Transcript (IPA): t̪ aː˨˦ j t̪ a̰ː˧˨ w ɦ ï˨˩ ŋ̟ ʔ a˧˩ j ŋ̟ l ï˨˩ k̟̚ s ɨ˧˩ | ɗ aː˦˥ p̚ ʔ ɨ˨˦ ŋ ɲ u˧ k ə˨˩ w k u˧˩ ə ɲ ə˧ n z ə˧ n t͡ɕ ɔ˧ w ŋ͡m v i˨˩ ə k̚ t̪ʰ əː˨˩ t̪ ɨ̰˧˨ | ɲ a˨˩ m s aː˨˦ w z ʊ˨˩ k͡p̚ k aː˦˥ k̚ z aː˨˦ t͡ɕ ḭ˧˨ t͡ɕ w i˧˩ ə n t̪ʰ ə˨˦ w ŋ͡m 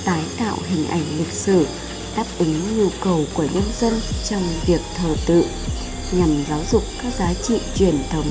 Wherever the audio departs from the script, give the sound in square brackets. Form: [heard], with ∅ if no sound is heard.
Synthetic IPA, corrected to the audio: t̪ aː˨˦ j t̪ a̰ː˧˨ w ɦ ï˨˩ ŋ̟ ʔ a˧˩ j ŋ̟ l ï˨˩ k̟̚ s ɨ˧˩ | ɗ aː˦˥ p̚ ʔ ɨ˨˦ ŋ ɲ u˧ k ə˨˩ w k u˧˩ ə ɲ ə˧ n z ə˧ n t͡ɕ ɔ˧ w ŋ͡m v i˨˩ ə k̚ t̪ʰ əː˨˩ t̪ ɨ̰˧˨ | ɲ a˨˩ m [z] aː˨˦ w z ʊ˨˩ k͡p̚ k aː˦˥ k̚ z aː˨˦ t͡ɕ ḭ˧˨ t͡ɕ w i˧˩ ə n t̪ʰ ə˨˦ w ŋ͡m

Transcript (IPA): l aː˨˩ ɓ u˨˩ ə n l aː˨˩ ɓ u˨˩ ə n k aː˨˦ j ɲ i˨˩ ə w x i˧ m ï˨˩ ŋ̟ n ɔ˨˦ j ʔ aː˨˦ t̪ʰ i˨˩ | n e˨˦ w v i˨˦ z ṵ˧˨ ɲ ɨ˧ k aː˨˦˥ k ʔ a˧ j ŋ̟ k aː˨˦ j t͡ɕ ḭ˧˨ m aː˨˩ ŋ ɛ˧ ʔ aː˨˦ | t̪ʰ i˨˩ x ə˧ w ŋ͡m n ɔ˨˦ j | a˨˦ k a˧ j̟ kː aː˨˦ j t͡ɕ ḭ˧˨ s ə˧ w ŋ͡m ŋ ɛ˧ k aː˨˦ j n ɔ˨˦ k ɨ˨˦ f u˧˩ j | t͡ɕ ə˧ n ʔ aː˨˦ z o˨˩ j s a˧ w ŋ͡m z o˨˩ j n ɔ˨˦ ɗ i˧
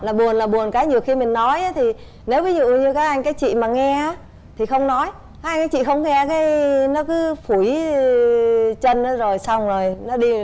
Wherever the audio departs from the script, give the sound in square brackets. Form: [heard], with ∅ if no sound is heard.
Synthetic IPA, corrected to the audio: l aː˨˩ ɓ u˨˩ ə n l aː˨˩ ɓ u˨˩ ə n k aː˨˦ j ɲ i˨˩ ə w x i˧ m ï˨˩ ŋ̟ n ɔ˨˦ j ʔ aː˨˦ t̪ʰ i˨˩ | n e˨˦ w v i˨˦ z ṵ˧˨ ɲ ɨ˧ k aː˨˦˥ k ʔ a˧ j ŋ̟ k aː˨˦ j t͡ɕ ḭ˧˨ m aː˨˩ ŋ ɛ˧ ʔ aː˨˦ | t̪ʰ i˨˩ x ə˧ w ŋ͡m n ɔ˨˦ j | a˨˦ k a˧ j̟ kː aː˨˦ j t͡ɕ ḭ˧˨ [x] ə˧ w ŋ͡m ŋ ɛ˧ k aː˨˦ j n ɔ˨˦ k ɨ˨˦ f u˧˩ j | t͡ɕ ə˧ n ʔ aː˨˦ z o˨˩ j s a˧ w ŋ͡m z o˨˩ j n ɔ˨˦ ɗ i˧

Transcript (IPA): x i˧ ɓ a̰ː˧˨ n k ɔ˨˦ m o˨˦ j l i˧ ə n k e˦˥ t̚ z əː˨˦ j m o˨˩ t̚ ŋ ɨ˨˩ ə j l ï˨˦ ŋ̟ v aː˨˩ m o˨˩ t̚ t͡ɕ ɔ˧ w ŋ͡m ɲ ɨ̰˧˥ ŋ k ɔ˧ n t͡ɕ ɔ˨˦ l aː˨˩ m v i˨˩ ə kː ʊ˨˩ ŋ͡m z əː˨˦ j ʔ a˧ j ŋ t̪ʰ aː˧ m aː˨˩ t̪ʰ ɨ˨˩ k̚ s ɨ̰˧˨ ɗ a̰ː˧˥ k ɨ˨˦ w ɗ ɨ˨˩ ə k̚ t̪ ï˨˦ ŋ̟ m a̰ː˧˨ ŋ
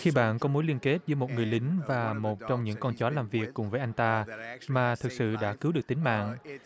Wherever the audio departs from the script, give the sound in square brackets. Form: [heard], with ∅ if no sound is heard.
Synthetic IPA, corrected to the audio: x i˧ ɓ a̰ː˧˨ n k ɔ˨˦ m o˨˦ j l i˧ ə n k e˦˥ t̚ z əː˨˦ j m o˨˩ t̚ ŋ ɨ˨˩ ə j l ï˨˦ ŋ̟ v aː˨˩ m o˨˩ t̚ t͡ɕ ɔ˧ w ŋ͡m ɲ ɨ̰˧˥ ŋ k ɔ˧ n t͡ɕ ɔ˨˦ l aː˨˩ m v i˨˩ ə kː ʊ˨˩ ŋ͡m [v] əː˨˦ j ʔ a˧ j ŋ [t̪] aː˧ m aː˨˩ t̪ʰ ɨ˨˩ k̚ s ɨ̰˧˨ ɗ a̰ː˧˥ k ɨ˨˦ w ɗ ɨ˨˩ ə k̚ t̪ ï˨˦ ŋ̟ m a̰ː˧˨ ŋ

